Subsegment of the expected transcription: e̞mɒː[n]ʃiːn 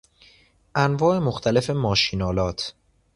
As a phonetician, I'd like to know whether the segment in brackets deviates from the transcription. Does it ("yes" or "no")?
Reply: yes